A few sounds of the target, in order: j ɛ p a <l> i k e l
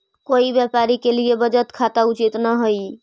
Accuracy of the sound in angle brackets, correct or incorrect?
incorrect